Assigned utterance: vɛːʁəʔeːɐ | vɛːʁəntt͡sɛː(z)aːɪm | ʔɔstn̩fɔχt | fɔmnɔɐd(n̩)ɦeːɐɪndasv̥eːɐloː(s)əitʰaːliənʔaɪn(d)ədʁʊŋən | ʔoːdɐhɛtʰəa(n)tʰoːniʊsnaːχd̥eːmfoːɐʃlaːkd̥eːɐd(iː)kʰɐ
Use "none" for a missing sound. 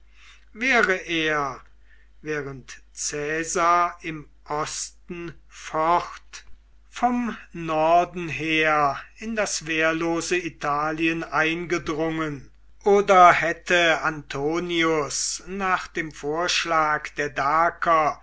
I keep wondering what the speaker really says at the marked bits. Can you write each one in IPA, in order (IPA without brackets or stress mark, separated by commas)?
z, n̩, z, ɡ, n, aː